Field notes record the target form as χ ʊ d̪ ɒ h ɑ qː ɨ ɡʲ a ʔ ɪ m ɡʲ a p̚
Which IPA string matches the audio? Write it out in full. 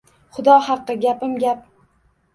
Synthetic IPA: χ ʊ d̪ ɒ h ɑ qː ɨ ɡʲ a p ɪ m ɡʲ a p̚

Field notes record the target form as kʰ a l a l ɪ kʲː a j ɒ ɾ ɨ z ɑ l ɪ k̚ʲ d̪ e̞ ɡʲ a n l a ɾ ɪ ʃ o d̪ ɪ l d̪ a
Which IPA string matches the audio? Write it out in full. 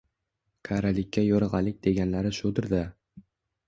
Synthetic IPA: kʰ a ɾ a l ɪ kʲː a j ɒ ɾ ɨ ʁ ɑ l ɪ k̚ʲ d̪ e̞ ɡʲ a n l a ɾ ɪ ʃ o d̪ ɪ ɾ d̪ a

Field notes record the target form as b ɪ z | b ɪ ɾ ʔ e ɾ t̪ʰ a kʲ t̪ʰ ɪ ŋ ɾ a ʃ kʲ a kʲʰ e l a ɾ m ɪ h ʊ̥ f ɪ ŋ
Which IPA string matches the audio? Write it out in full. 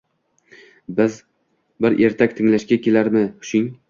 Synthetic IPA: b ɪ z | b ɪ ɾ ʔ e ɾ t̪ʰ a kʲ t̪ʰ ɪ ŋ l a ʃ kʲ a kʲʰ e l a ɾ m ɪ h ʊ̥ ʃ ɪ ŋ

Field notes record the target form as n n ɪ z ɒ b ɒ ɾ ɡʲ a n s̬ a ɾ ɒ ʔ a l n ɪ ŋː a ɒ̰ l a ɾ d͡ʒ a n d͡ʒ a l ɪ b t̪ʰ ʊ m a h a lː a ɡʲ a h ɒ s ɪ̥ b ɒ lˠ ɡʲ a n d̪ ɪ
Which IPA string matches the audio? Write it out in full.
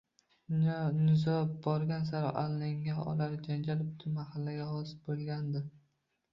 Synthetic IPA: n n ɪ z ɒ b ɒ ɾ ɡʲ a n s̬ a ɾ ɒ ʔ a l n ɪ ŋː a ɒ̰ l a ɾ d͡ʒ a n d͡ʒ a l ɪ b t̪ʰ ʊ m a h a lː a ɡʲ a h ɒ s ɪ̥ b o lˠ ɡʲ a n d̪ ɪ

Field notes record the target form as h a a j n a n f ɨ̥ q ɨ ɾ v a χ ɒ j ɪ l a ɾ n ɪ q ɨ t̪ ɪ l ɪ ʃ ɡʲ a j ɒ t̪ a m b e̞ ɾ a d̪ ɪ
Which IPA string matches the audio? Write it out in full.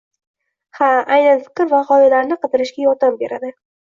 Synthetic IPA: h a a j n a n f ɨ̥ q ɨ ɾ v a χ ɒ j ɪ l a ɾ n ɪ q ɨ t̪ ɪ ɾ ɪ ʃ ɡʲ a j ɒ t̪ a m b e̞ ɾ a d̪ ɪ

